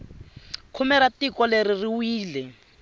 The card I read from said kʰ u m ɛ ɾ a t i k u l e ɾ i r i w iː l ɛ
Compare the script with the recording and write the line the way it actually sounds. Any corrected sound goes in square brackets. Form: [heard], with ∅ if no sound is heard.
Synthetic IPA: kʰ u m ɛ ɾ a t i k [ɔ] l e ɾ i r i w iː l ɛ